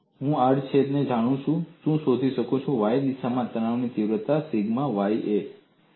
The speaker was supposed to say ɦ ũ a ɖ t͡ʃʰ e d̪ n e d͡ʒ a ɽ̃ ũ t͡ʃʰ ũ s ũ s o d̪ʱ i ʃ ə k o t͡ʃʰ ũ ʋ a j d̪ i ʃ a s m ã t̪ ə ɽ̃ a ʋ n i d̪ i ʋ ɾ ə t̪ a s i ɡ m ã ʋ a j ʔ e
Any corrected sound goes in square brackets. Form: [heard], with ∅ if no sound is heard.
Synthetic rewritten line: ɦ ũ a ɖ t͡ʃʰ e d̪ n e d͡ʒ a ɽ̃ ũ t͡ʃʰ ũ [ʃ] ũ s o d̪ʱ i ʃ ə k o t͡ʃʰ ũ ʋ a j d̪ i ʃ a [∅] m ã t̪ ə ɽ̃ a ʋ n i [t̪] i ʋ ɾ ə t̪ a s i ɡ m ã ʋ a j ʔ e